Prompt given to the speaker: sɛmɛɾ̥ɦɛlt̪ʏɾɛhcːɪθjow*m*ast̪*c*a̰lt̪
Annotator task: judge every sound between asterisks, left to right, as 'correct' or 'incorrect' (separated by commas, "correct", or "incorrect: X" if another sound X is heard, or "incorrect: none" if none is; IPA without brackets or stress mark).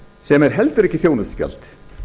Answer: incorrect: n, correct